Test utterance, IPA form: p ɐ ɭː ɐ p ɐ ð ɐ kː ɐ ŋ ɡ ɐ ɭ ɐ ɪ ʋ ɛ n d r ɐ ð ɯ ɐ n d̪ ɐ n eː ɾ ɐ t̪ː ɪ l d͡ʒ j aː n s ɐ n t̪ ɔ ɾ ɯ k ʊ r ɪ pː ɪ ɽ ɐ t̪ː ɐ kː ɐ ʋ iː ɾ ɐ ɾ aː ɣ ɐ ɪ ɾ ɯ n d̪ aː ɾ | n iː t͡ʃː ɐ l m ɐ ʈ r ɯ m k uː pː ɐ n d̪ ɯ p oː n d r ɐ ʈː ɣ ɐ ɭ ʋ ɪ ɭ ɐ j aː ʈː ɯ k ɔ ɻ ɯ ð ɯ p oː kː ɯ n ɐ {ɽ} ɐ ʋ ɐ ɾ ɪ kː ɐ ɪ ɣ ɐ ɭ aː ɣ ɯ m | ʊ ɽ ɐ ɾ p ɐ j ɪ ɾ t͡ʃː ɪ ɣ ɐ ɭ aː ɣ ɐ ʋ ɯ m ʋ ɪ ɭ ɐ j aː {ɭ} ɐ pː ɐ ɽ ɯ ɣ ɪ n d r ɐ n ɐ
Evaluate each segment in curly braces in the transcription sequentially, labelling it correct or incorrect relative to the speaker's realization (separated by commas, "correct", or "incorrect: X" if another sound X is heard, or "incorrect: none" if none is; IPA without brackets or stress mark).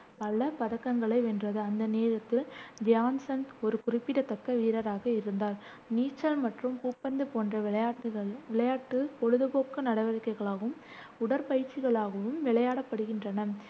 correct, incorrect: ɽ